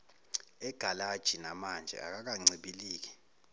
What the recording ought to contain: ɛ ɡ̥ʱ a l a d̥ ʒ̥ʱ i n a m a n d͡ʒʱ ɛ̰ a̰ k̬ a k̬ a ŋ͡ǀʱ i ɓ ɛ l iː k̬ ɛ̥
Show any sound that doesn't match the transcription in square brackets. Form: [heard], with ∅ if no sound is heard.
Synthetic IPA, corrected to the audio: ɛ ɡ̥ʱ a l a d̥ ʒ̥ʱ i n a m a n d͡ʒʱ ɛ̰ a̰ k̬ a k̬ a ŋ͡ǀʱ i ɓ [i] l iː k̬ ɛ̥